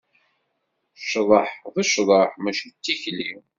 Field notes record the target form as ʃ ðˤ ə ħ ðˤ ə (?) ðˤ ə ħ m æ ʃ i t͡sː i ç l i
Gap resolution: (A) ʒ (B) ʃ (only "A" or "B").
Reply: B